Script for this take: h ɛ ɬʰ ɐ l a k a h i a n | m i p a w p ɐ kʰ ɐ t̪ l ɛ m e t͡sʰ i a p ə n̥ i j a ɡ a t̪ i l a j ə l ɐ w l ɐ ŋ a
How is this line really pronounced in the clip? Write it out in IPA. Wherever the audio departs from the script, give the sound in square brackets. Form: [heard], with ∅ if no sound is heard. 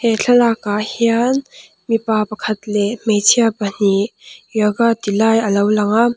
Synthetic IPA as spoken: h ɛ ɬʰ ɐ l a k a h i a n | m i p a [∅] p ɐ kʰ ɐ t̪ l ɛ m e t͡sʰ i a p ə n̥ i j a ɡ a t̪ i l a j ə l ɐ w l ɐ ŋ a